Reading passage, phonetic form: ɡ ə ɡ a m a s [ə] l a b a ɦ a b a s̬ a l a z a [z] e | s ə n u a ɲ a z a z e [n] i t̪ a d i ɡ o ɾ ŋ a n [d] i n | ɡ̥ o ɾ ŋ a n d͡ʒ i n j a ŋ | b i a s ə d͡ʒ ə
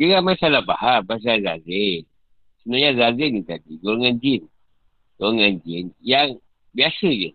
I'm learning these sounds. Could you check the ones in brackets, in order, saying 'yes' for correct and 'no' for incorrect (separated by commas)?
no, yes, yes, no